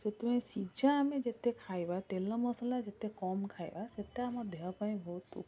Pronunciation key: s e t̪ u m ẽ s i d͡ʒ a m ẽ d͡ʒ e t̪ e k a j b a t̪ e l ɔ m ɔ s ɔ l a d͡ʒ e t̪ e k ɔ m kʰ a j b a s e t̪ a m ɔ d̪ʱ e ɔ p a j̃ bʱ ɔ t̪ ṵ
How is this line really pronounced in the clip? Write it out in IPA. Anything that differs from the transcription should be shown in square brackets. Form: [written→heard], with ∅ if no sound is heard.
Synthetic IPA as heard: s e t̪ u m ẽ s i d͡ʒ a m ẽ d͡ʒ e t̪ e [k→kʰ] a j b a t̪ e l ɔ m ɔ s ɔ l a d͡ʒ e t̪ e k ɔ m kʰ a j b a s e t̪ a m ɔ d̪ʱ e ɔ p a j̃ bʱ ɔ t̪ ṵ